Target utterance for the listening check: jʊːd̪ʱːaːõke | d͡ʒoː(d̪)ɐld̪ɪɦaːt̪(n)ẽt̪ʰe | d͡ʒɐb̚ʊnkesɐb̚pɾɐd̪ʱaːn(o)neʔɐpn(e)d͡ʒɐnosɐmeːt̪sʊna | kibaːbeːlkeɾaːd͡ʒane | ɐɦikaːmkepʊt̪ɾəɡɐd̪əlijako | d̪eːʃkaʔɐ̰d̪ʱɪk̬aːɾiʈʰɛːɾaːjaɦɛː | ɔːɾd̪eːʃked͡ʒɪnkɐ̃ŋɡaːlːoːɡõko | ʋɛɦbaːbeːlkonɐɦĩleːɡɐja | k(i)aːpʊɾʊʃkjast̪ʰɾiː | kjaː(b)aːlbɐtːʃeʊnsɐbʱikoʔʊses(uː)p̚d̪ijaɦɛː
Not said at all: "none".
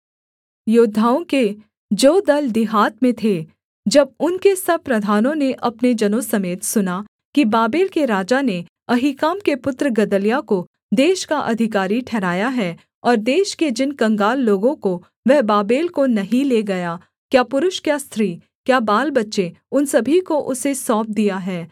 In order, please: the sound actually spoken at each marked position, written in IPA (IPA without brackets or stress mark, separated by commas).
d̪, m, õ, e, j, b, ɔː